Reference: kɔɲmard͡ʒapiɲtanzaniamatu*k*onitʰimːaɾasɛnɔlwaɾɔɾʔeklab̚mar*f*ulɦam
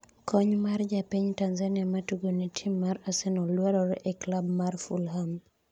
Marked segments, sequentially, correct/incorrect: incorrect: ɡ, correct

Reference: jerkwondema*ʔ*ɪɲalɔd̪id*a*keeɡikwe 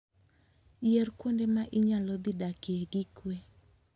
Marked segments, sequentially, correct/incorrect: correct, correct

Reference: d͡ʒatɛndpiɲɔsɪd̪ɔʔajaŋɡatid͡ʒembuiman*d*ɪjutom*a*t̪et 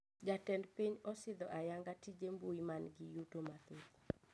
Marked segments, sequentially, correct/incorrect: incorrect: ɡ, correct

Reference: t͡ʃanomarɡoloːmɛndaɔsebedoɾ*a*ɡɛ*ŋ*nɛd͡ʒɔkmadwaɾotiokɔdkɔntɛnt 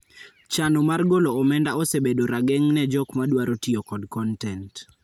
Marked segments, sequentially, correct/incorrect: correct, correct

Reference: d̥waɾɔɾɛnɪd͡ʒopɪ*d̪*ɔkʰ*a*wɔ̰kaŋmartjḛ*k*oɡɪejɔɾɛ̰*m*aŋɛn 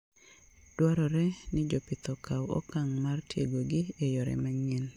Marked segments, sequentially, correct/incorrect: incorrect: t̪, correct, incorrect: ɡ, correct

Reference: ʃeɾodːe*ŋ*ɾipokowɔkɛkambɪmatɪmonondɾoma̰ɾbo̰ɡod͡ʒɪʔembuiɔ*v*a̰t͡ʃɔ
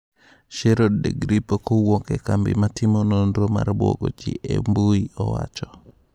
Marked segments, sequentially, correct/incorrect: incorrect: ɡ, incorrect: w

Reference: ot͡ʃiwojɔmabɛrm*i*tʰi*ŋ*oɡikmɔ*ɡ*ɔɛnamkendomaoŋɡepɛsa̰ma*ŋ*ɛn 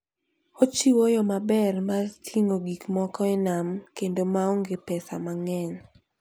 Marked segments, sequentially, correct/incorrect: incorrect: a, correct, incorrect: k, correct

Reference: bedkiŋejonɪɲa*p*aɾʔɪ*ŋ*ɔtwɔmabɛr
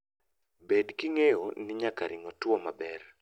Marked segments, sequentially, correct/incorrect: incorrect: k, correct

